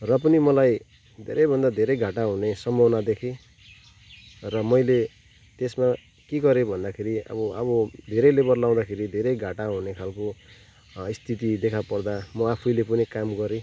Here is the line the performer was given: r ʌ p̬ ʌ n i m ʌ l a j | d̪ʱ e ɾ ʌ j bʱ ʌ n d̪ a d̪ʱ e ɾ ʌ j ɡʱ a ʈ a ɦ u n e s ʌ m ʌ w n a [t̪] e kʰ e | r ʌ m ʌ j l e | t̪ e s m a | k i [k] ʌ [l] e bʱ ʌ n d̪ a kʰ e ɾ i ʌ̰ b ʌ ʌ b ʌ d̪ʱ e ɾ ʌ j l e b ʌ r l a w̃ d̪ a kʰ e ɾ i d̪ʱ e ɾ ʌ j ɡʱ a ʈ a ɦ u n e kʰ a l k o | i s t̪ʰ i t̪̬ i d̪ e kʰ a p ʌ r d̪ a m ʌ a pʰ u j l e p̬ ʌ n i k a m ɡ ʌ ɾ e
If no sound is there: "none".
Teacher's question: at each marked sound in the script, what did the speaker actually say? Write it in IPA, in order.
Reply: d̪, ɡ, ɾ

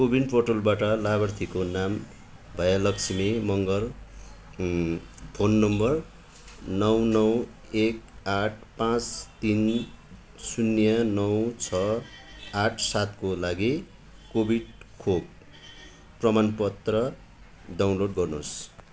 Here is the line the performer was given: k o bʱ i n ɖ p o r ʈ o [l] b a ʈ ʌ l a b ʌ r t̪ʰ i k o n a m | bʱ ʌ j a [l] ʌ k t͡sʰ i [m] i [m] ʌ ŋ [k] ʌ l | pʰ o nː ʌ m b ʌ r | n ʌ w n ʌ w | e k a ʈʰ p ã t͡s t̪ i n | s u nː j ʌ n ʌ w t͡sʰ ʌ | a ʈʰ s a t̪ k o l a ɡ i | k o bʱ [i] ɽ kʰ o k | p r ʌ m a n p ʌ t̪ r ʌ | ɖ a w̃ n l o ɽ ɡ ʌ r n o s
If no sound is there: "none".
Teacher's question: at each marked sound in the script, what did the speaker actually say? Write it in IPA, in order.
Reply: l, l, m, m, ɡ, i

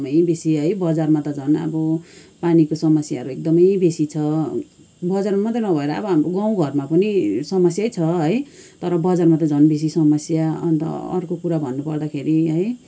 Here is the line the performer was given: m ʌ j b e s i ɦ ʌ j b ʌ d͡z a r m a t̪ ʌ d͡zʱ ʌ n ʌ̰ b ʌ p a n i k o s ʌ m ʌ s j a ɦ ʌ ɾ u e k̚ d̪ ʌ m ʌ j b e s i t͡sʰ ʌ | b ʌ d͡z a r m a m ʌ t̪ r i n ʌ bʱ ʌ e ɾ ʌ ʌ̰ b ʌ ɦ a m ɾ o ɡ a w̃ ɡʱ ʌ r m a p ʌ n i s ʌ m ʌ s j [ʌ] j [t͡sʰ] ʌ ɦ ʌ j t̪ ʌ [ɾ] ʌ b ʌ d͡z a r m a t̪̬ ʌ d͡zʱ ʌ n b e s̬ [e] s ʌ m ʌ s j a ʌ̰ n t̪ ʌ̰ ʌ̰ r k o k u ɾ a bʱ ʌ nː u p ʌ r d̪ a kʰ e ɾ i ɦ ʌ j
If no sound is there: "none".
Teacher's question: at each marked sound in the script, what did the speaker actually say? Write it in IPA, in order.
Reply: a, t͡sʰ, ɾ, i

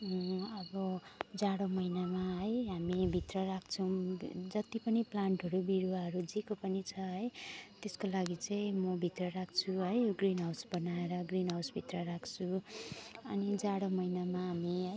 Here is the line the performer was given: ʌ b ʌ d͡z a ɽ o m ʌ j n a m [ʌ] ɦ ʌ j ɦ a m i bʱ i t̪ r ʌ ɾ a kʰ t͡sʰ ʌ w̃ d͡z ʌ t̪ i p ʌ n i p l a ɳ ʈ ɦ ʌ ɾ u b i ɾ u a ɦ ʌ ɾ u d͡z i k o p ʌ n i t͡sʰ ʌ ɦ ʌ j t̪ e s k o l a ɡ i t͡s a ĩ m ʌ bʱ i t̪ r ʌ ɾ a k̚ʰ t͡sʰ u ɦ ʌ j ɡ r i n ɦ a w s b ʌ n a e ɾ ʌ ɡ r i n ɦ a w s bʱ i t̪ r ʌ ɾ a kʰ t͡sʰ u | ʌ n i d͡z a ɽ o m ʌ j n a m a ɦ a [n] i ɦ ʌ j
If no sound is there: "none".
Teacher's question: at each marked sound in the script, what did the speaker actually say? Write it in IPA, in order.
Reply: a, m

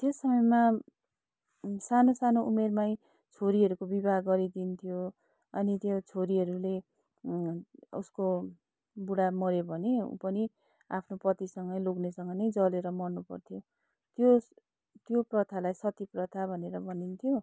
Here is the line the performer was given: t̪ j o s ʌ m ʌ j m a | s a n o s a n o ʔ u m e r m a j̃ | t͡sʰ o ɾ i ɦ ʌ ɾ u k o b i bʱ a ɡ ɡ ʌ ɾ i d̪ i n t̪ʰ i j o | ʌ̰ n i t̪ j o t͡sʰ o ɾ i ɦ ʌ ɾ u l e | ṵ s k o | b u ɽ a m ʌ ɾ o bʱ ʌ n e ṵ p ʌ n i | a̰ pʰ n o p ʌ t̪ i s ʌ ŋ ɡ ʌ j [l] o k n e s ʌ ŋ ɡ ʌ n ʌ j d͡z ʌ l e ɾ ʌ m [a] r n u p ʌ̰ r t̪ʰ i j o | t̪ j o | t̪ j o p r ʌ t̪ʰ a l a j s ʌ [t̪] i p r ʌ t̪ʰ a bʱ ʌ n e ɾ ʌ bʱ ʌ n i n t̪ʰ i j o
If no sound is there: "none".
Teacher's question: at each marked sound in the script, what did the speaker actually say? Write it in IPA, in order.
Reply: l, ʌ, t̪

